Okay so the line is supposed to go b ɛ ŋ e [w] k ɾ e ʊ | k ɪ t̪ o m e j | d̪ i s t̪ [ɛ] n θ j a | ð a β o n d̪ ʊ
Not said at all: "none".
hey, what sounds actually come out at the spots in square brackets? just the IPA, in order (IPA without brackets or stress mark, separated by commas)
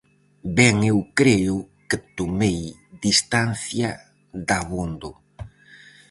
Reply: w, a